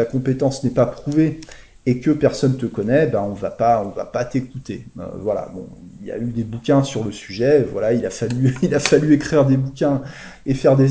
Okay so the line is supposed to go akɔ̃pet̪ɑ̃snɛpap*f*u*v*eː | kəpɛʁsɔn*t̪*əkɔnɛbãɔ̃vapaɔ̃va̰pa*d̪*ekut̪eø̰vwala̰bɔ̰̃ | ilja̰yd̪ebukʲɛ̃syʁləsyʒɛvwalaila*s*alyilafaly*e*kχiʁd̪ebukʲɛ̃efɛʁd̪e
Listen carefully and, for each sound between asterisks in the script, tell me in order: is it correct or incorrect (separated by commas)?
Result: incorrect, correct, correct, incorrect, incorrect, correct